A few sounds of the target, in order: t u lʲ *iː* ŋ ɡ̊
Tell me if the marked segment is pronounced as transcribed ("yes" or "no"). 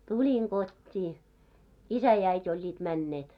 no